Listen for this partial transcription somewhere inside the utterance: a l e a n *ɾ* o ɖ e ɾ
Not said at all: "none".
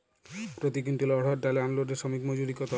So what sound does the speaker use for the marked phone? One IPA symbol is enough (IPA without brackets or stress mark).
l